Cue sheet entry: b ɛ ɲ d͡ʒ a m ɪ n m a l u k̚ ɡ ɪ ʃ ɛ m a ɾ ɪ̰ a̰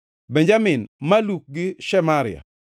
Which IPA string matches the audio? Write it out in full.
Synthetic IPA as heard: b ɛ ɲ d͡ʒ a m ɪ n m a l u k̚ ɡ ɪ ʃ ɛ m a ɾ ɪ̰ a̰